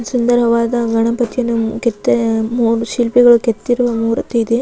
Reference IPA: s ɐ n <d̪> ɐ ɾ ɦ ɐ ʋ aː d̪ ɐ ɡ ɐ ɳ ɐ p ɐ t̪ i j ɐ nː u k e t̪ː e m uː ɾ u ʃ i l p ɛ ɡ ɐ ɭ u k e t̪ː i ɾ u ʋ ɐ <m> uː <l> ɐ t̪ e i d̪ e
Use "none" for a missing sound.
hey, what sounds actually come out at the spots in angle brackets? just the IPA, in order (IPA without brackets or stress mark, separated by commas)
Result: d̪, m, ɾ